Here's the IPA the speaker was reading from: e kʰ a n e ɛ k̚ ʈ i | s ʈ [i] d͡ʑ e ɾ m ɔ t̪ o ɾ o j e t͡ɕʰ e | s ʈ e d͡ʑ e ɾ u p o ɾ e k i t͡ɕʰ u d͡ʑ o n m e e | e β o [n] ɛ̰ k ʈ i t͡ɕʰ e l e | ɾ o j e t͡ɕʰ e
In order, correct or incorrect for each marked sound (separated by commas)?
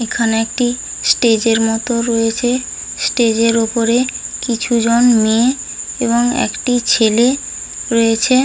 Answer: incorrect, incorrect